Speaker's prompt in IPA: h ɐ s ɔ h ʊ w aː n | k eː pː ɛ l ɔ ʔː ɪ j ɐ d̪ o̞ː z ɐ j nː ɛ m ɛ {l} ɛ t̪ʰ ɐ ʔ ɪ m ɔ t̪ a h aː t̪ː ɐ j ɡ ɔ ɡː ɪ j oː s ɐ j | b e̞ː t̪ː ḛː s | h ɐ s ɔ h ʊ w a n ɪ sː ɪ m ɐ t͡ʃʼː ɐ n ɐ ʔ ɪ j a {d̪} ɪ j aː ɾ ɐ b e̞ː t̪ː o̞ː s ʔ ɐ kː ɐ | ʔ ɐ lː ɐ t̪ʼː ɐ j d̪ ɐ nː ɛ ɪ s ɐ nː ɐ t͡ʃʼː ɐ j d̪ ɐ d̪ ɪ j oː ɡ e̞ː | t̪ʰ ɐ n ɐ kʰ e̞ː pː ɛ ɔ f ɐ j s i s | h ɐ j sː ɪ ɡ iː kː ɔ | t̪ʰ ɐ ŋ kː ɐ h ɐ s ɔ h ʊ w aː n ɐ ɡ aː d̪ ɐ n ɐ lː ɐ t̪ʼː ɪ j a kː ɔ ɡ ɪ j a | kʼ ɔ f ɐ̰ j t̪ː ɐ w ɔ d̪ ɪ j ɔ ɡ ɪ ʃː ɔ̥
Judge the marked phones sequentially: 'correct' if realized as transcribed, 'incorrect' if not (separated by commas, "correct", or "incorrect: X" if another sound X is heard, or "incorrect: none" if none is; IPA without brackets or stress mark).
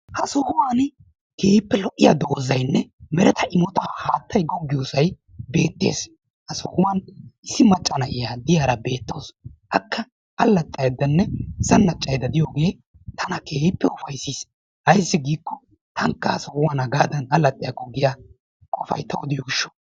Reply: incorrect: ɾ, correct